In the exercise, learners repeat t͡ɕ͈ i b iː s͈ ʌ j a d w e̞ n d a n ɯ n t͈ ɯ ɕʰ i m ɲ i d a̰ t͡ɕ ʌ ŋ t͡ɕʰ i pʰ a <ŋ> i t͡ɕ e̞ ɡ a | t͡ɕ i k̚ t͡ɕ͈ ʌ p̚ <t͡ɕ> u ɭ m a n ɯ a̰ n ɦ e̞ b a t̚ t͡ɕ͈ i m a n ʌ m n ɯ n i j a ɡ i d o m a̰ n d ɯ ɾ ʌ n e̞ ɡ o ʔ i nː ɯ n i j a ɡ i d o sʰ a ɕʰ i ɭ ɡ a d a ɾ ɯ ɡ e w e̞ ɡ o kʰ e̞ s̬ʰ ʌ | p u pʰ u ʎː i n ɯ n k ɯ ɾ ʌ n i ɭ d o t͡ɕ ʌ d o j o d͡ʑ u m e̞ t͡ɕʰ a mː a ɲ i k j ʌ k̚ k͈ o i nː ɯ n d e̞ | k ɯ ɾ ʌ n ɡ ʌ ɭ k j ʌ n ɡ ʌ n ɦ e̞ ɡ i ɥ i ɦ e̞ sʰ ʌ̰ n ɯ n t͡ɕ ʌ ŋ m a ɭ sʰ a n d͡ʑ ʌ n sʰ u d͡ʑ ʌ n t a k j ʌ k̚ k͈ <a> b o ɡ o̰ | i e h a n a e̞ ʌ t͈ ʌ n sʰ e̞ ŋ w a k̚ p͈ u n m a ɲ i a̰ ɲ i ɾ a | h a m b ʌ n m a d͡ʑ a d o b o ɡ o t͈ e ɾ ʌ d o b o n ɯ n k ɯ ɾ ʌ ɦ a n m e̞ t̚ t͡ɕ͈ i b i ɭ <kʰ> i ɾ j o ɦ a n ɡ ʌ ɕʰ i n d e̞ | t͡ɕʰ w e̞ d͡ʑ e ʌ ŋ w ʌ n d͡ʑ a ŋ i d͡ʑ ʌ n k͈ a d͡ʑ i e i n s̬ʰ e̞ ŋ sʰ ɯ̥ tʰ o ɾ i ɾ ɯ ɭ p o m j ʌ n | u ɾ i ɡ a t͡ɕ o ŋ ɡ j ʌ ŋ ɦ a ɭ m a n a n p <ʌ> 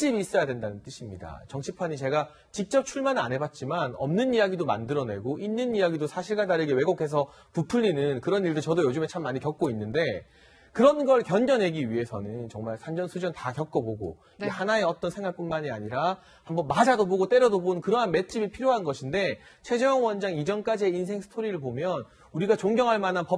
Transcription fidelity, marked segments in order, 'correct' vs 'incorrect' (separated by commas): incorrect, incorrect, incorrect, incorrect, correct